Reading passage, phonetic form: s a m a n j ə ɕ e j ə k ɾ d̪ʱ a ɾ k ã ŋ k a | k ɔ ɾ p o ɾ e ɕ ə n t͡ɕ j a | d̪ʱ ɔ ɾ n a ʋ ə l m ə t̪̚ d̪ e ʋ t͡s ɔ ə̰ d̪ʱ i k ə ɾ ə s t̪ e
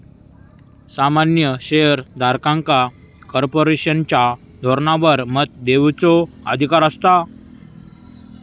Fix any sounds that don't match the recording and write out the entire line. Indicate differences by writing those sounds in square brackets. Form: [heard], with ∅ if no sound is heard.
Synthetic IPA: s a m a n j ə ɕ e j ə [∅] ɾ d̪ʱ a ɾ k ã ŋ k a | k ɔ ɾ p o ɾ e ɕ ə n t͡ɕ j a | d̪ʱ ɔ ɾ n a ʋ ə [ɾ] m ə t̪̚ d̪ e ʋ t͡s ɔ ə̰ d̪ʱ i k [a] ɾ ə s t̪ [a]